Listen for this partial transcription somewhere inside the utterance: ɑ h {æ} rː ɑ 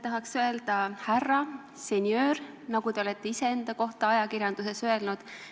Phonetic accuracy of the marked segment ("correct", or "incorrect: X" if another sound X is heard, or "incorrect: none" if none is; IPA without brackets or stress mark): correct